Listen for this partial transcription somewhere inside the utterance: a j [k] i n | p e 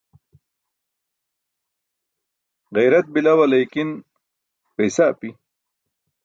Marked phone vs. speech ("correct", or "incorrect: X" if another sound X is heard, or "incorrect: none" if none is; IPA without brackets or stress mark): correct